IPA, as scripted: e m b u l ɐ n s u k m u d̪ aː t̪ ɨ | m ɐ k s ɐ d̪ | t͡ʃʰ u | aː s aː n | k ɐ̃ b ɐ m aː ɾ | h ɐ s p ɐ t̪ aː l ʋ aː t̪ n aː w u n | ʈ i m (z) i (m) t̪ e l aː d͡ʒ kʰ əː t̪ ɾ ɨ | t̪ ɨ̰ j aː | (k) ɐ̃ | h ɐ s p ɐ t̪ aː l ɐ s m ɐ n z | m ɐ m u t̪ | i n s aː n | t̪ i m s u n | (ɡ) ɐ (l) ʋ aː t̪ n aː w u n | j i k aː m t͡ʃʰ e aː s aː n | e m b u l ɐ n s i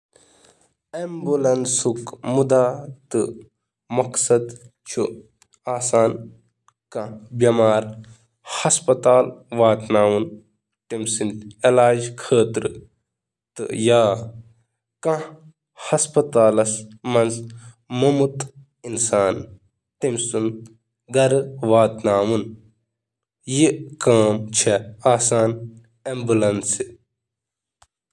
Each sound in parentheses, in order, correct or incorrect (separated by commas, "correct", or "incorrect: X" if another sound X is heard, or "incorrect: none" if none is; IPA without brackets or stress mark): incorrect: s, incorrect: n, correct, correct, incorrect: ɾ